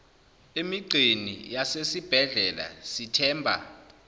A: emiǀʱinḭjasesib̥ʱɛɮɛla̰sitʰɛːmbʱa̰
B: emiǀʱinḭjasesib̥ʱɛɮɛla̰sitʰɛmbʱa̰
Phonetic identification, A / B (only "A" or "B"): A